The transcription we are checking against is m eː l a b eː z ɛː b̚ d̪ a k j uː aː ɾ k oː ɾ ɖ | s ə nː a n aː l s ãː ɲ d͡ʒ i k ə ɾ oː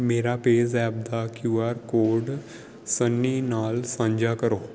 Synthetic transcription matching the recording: m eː ɾ a p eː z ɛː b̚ d̪ a k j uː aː ɾ k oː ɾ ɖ | s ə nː i n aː l s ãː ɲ d͡ʒ a k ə ɾ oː

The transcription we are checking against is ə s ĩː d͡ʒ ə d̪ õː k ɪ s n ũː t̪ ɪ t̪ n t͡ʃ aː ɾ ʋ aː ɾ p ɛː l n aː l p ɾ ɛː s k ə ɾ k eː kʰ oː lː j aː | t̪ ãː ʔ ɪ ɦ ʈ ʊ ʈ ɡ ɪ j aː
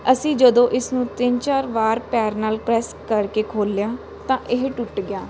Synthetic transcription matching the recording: ə s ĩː d͡ʒ ə d̪ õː ʔ ɪ s n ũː t̪ ɪ n t͡ʃ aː ɾ ʋ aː ɾ p ɛː ɾ n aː l p ɾ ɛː s k ə ɾ k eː kʰ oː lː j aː | t̪ ãː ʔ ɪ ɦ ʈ ʊ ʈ ɡ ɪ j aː

